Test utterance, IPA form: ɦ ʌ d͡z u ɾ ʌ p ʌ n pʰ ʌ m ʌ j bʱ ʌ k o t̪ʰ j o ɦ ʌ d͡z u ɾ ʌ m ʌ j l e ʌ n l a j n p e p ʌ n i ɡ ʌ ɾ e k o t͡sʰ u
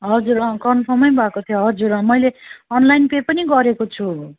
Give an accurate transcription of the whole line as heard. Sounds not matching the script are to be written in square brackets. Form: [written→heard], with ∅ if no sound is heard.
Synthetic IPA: ɦ ʌ d͡z u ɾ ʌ [p→k] ʌ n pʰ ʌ m ʌ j bʱ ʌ k o t̪ʰ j o ɦ ʌ d͡z u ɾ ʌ m ʌ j l e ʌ n l a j n p e p ʌ n i ɡ ʌ ɾ e k o t͡sʰ u